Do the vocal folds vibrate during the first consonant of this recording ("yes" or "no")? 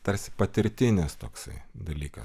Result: no